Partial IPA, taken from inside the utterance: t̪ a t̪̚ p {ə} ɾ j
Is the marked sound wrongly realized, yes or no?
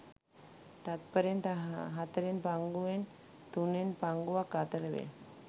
no